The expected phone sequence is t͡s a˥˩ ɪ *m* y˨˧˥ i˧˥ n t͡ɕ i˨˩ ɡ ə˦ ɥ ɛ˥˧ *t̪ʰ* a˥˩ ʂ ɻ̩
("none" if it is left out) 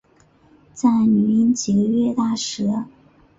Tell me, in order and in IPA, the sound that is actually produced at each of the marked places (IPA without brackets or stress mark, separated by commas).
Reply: n, t̪